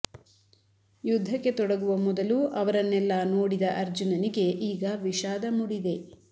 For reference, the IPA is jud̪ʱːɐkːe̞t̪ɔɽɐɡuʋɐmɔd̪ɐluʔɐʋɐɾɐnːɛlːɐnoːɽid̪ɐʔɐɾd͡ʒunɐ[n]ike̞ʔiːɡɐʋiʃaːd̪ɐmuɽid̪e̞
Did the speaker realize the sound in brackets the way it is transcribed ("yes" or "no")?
yes